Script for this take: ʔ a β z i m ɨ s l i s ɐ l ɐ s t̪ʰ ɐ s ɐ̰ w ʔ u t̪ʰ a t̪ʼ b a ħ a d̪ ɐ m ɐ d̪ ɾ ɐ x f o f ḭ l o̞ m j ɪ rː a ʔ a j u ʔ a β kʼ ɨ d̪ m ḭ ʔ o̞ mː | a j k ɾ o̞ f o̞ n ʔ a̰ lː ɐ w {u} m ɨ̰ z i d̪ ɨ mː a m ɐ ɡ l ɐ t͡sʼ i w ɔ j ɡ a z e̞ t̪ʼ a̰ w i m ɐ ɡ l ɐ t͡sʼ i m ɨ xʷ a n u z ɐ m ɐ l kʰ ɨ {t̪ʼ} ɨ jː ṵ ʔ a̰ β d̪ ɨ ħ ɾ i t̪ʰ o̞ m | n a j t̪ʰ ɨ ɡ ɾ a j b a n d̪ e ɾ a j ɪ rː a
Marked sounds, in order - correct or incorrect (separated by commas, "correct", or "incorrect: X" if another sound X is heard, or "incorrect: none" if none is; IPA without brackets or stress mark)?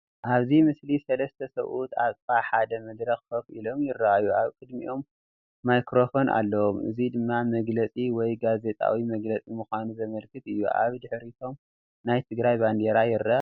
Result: incorrect: o, incorrect: t̪